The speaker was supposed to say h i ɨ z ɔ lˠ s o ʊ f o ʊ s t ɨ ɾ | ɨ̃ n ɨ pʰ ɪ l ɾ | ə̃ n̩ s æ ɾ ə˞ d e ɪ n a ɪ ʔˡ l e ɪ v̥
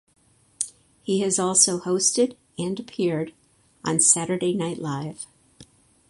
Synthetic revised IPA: h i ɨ z ɔ lˠ s o ʊ h o ʊ s t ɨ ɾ | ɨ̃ n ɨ pʰ ɪ ɹ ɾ | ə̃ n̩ s æ ɾ ə˞ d e ɪ n a ɪ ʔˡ l a ɪ v̥

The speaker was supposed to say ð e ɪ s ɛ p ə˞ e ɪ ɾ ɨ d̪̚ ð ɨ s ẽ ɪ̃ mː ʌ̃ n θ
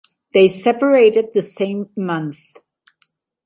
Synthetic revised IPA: ð e ɪ s ɛ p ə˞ e ɪ ɾ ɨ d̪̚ ð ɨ s ẽ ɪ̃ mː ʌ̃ n θ

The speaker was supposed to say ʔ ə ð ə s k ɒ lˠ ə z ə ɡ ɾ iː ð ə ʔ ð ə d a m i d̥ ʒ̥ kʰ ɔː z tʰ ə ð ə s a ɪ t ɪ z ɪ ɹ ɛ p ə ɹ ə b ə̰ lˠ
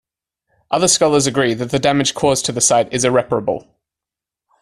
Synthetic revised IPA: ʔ ʌ ð ə s k ɒ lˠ ə z ə ɡ ɹ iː ð ə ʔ ð ə d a m ɪ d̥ ʒ̥ kʰ ɔː z tʰ ə ð ə s a ɪ t ɪ z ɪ ɹ ɛ p ə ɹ ə b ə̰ lˠ

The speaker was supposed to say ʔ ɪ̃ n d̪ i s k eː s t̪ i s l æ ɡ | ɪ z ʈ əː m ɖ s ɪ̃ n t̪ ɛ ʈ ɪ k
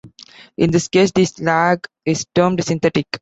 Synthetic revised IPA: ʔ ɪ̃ n d̪ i s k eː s d̪ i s l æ ɡ | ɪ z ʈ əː m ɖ s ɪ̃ n t̪ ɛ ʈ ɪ k

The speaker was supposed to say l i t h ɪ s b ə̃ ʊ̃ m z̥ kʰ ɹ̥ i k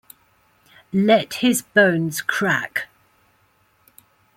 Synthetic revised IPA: l ɛ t h ɪ z b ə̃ ʊ̃ n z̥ kʰ ɹ̥ a k

